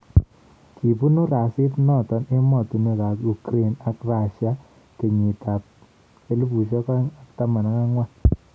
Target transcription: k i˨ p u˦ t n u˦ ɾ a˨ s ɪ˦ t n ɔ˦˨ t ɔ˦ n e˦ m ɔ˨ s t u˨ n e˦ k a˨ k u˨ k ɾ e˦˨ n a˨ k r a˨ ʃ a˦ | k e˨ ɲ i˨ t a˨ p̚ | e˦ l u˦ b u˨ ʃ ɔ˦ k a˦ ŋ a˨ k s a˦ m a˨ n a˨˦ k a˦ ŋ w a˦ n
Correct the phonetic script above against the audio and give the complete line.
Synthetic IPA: k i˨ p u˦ n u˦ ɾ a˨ s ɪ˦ t n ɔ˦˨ t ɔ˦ n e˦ m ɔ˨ t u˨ n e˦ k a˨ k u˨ k ɾ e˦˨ n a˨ k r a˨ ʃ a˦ | k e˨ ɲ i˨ t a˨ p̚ | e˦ l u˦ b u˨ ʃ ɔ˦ k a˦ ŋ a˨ k t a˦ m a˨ n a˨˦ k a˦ ŋ w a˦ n